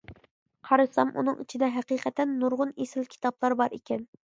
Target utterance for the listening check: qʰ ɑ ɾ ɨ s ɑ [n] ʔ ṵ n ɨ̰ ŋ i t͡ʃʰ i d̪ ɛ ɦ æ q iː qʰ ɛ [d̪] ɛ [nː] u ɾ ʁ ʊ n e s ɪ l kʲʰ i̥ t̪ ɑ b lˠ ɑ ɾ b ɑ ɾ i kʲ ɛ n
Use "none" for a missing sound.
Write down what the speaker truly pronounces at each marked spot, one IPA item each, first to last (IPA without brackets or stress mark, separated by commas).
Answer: m, t̪, nː